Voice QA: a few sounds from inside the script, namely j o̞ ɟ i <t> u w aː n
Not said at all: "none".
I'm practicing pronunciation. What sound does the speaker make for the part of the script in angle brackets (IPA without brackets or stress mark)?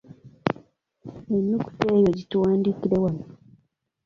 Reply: t